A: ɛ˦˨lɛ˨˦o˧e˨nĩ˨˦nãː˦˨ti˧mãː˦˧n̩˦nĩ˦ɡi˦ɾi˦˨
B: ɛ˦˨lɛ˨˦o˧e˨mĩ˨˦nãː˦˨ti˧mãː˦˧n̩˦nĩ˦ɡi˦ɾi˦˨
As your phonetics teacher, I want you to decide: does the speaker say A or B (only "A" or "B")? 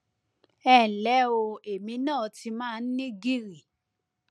B